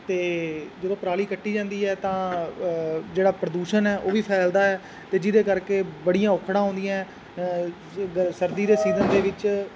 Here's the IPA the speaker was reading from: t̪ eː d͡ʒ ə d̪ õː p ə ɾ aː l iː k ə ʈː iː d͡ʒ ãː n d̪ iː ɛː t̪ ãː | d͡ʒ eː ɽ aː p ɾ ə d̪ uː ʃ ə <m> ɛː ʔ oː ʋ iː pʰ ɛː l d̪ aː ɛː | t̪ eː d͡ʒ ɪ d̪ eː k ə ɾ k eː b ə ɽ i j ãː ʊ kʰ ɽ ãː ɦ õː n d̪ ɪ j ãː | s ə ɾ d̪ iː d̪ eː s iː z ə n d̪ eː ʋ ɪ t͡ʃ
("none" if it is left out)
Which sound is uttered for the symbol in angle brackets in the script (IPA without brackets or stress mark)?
n